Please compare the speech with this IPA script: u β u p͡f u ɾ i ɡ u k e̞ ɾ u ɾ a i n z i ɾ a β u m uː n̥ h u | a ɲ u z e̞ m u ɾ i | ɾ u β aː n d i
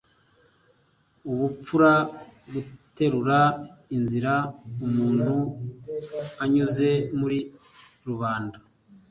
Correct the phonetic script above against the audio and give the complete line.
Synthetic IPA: u β u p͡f u ɾ a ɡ u t e̞ ɾ u ɾ a i n z i ɾ a u m uː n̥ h u | a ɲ u z e̞ m u ɾ i | ɾ u β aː n d a